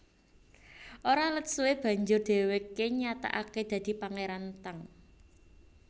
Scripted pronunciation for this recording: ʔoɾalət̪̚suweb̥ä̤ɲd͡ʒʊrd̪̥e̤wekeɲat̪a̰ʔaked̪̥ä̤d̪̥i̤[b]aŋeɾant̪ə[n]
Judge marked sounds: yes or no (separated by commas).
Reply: no, no